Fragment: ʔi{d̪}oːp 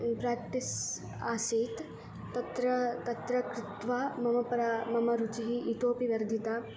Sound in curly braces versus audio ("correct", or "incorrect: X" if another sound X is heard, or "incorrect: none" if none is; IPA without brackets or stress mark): incorrect: t̪